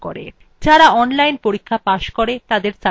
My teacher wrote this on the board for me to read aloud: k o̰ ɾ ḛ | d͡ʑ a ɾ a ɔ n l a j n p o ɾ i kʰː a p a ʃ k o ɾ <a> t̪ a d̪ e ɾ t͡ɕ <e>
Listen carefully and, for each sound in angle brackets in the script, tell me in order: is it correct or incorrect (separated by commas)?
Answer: incorrect, incorrect